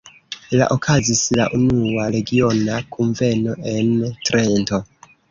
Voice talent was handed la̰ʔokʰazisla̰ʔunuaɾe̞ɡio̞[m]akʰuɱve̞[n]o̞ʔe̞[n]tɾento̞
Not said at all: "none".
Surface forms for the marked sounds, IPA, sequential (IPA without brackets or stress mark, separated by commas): n, n, n